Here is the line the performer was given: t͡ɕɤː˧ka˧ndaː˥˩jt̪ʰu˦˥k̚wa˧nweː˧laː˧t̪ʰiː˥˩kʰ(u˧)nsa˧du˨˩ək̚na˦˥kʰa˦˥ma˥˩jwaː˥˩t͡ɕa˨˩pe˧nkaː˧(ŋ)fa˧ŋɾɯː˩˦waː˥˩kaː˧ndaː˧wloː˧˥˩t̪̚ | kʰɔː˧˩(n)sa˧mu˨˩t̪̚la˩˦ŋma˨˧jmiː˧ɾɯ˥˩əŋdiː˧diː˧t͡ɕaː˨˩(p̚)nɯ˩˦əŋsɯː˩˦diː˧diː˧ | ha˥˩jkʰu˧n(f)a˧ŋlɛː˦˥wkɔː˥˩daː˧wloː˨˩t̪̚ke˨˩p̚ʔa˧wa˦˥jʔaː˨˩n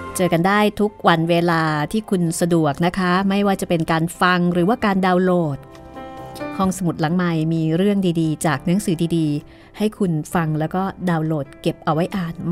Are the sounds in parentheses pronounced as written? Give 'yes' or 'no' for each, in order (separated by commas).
yes, no, no, no, yes